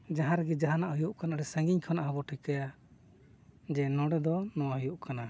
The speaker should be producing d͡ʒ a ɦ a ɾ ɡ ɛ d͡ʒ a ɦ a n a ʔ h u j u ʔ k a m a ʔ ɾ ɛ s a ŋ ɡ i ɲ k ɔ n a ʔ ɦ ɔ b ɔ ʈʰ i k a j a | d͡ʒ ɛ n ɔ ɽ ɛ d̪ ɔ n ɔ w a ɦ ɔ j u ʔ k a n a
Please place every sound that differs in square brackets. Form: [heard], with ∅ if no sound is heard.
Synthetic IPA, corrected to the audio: d͡ʒ a ɦ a ɾ ɡ ɛ d͡ʒ a ɦ a n a ʔ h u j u ʔ k a [n] a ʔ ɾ ɛ s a ŋ ɡ i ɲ [kʰ] ɔ n a ʔ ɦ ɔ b ɔ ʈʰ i k a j a | d͡ʒ ɛ n ɔ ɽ ɛ d̪ ɔ n ɔ w a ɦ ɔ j u ʔ k a n a